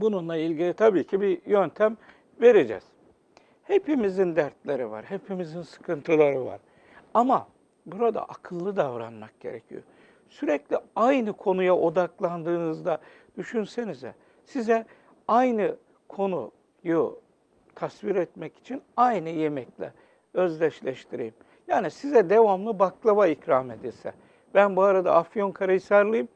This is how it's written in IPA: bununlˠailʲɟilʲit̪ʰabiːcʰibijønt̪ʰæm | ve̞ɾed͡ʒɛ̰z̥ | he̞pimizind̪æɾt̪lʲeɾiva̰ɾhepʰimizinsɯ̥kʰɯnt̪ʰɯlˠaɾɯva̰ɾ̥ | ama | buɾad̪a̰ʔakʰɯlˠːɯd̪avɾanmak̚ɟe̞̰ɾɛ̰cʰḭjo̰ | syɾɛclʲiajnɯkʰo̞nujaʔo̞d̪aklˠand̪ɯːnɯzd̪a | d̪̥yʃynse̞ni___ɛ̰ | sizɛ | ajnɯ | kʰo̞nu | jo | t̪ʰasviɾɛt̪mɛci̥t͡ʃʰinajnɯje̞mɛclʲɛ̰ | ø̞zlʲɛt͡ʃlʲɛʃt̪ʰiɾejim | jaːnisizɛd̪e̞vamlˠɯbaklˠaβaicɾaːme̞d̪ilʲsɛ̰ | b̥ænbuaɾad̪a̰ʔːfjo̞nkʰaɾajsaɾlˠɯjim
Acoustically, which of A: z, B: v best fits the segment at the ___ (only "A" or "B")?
A